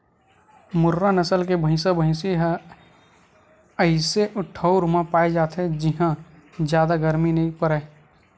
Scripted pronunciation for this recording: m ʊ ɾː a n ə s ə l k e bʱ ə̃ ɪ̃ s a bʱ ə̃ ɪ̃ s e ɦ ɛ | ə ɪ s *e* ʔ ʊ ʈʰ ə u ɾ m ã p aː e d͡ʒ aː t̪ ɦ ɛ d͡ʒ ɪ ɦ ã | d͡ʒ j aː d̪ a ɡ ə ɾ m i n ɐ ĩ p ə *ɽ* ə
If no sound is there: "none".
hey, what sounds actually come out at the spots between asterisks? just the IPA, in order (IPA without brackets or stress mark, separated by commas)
e, ɾ